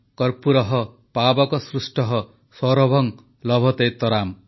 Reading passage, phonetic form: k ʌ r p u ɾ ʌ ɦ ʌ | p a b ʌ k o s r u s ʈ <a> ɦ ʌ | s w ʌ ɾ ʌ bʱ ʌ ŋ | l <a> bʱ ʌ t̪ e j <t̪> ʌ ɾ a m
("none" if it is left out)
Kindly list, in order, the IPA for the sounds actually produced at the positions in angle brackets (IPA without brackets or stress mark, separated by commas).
ʌ, ʌ, t̪